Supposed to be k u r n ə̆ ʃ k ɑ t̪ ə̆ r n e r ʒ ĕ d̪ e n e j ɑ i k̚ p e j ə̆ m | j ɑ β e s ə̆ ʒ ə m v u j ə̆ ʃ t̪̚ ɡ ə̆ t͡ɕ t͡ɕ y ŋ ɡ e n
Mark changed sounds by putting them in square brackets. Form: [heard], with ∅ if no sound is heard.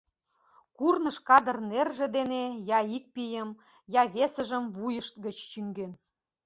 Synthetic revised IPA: k u r n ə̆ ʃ k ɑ [d̪] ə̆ r n e r ʒ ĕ d̪ e n e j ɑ i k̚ p [i] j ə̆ m | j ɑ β e s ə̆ ʒ ə m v u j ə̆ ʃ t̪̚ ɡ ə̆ t͡ɕ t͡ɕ y ŋ ɡ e n

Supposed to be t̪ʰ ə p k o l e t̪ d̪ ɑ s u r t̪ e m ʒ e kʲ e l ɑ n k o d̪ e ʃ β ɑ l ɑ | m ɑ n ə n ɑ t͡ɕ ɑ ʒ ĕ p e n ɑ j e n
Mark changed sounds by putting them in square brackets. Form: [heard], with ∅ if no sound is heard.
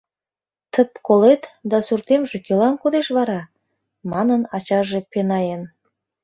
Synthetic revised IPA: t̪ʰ ə p k o l e t̪ d̪ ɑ s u r t̪ e m ʒ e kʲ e l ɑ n k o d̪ e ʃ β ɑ [ɾ] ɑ | m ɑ n ə n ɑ t͡ɕ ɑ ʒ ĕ p e n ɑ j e n

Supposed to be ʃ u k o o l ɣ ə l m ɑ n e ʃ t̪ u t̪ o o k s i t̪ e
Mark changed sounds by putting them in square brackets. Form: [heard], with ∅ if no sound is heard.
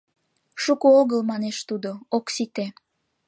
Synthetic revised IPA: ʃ u k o o [∅] ɣ ə l m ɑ n e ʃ t̪ u [d̪] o o k s i t̪ e

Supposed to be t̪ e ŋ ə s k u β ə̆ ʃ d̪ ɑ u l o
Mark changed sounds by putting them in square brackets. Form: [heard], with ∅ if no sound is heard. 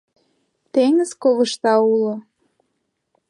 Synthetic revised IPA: t̪ e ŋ ə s k [o] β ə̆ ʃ [t̪] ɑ u l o

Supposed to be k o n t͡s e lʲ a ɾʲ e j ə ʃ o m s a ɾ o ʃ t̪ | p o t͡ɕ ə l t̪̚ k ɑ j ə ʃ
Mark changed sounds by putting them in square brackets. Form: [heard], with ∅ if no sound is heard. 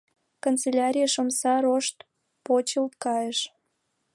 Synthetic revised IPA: k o n t͡s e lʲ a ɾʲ [i] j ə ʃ o m s [ɑ] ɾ o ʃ t̪ | p o t͡ɕ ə l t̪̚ k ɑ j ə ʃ

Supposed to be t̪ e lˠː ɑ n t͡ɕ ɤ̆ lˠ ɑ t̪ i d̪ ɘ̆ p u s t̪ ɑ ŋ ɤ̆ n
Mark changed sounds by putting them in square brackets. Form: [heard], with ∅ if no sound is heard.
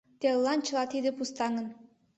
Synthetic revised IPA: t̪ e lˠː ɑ n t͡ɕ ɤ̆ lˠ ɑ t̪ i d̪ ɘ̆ p u s t̪ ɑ ŋ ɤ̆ n

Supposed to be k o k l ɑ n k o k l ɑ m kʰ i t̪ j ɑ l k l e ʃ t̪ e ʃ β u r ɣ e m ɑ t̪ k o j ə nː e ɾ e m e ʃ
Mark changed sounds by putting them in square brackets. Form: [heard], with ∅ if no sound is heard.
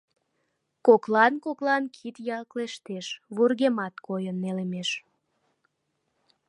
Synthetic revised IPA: k o k l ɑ n k o k l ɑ [n] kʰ i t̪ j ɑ l k l e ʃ t̪ e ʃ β u r ɣ e m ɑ t̪ k o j ə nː e [l] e m e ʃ

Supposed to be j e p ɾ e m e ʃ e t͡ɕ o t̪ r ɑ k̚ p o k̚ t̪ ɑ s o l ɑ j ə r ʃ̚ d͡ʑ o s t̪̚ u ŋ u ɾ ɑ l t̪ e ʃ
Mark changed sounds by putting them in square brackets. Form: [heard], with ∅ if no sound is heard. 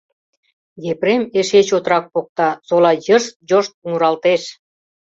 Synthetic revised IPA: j e p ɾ e m e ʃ e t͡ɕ o t̪ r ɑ k̚ p o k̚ t̪ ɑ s o l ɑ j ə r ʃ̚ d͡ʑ o [ʃ] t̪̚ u ŋ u ɾ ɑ l t̪ e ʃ

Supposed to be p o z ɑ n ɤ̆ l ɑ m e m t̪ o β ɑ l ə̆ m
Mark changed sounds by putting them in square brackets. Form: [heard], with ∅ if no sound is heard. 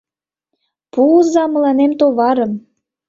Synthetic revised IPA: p [u] z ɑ [m] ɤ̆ l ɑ [n] e m t̪ o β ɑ [ɾ] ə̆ m

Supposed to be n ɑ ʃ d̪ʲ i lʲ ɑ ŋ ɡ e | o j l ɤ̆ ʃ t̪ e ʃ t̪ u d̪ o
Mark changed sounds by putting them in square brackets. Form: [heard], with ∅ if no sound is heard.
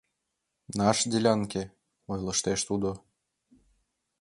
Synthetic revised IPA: n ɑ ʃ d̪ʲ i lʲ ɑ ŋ [k] e | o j l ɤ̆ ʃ t̪ e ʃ t̪ u d̪ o

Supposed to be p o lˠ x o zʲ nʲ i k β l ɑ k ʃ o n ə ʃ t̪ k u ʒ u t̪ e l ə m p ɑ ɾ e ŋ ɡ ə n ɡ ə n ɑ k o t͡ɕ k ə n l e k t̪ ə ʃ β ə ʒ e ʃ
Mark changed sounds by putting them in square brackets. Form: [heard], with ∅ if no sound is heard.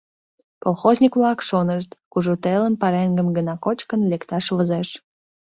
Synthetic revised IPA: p o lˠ x o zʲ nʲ i k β l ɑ k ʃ o n ə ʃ t̪ k u ʒ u t̪ e l ə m p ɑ ɾ e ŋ ɡ ə [m] ɡ ə n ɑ k o t͡ɕ k ə n l e k t̪ [ɑ] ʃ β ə [z] e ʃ

